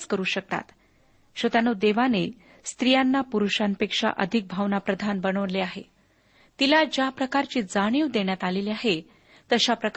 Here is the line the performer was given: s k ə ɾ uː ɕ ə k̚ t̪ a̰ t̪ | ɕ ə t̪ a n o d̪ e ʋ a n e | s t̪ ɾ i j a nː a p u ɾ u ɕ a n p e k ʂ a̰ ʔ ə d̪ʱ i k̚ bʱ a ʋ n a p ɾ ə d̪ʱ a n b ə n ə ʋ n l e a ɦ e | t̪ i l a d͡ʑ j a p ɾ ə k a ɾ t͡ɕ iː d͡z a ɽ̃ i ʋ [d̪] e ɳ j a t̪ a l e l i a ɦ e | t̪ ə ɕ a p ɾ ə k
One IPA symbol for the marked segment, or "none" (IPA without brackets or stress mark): d̪